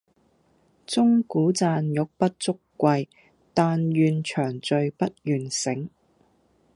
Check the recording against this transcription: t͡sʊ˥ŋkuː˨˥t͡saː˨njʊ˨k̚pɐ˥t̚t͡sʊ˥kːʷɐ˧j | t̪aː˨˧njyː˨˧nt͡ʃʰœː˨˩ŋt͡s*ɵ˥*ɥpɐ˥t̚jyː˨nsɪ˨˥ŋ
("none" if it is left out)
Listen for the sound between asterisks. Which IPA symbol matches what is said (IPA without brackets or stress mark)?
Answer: ɵ˨˧